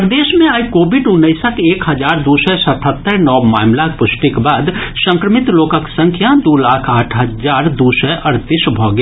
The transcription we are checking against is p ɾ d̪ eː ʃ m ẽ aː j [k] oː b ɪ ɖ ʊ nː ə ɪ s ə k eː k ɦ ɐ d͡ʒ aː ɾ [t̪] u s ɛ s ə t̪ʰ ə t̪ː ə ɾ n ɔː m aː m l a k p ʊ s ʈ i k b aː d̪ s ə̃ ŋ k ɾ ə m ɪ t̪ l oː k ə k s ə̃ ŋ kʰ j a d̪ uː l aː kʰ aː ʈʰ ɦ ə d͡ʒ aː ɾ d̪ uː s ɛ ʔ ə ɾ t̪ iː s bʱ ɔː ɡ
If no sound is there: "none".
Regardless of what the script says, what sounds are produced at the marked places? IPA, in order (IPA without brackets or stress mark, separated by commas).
k, d̪